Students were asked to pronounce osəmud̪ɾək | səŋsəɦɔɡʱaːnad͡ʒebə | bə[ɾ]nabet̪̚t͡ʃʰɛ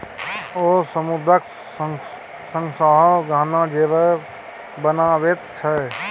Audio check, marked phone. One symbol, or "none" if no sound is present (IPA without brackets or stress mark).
none